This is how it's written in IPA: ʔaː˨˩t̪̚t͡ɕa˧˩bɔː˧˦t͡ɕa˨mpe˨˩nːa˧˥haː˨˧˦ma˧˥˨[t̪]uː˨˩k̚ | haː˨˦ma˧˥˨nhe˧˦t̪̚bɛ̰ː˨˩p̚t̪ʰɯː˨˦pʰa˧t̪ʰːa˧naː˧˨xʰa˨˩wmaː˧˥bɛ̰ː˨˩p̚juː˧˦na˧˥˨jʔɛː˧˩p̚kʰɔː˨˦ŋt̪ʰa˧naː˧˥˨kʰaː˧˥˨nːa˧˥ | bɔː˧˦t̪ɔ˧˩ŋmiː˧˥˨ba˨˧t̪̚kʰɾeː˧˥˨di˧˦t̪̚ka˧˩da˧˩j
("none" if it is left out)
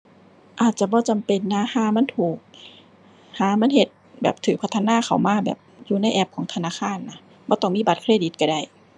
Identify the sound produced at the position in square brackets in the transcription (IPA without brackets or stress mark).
t̪ʰ